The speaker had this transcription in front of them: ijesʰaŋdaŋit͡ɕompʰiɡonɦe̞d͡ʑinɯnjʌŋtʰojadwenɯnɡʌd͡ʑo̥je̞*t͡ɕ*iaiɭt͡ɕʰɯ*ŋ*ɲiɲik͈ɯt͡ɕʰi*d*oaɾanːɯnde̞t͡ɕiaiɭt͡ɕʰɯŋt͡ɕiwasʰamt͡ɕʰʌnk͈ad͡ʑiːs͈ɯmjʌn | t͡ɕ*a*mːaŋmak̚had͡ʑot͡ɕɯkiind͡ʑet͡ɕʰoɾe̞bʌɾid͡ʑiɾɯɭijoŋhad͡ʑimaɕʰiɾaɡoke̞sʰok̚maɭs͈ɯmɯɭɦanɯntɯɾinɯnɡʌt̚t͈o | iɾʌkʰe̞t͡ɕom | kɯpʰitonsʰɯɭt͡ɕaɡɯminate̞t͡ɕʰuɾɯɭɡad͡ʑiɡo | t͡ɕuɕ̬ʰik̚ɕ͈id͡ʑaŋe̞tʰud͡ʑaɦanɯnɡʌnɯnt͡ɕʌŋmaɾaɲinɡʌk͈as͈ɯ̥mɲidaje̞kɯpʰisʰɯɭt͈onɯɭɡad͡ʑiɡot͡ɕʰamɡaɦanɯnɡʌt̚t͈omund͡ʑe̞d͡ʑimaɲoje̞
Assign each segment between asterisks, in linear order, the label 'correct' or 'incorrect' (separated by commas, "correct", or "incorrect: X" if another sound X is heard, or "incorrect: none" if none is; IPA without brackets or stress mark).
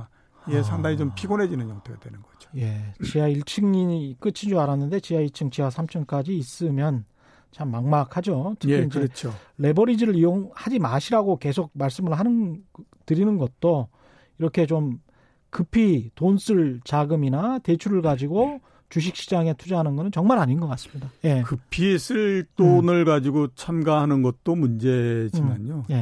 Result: correct, correct, incorrect: d͡ʑ, correct